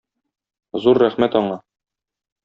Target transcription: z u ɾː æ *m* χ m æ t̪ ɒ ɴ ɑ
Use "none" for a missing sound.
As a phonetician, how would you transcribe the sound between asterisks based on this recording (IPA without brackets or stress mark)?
none